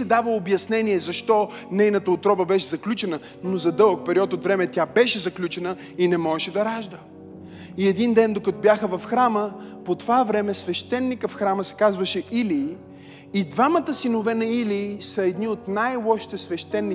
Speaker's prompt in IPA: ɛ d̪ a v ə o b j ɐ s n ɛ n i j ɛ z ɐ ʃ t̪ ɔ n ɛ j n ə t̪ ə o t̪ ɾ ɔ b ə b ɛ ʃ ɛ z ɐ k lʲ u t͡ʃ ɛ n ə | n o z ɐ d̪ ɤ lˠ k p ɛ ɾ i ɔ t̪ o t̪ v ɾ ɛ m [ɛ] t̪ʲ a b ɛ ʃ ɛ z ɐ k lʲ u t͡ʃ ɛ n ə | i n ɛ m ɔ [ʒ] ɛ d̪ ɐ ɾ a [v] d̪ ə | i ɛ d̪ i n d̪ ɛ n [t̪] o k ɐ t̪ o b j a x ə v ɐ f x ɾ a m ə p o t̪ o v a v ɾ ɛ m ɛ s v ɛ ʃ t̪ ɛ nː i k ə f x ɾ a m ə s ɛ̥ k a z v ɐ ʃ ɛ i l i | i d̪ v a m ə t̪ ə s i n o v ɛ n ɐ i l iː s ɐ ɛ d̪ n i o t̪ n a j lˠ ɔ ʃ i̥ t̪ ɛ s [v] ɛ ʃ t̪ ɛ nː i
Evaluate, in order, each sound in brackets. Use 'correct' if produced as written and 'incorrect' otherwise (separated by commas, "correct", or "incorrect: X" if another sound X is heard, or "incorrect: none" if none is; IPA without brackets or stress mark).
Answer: correct, incorrect: ʃ, incorrect: ʒ, incorrect: d̪, correct